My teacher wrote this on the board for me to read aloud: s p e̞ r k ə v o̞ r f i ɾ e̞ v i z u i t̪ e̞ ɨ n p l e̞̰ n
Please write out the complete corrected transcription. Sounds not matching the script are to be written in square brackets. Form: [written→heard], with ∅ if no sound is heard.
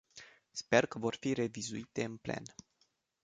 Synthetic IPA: s p e̞ r k ə v o̞ r f i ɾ e̞ v i z u i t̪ e̞ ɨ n p l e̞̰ n